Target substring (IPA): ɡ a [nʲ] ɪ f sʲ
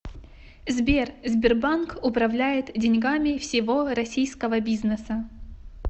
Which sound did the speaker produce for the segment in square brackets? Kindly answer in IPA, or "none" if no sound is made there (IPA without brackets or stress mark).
mʲ